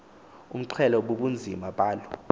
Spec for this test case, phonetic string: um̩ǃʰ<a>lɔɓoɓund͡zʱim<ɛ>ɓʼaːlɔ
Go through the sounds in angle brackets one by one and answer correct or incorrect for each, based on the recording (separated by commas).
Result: incorrect, incorrect